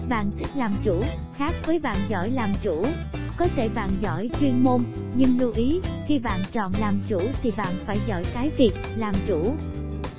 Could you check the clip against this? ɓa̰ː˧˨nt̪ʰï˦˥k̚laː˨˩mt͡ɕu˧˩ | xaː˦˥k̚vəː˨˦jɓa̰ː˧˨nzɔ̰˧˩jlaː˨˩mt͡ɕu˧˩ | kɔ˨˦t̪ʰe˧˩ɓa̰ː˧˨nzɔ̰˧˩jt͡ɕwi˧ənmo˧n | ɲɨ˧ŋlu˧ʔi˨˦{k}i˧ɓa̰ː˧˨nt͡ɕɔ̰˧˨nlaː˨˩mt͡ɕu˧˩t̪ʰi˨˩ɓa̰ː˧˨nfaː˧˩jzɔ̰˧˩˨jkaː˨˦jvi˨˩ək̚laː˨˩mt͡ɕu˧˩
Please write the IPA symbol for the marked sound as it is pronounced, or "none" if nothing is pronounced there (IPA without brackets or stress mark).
x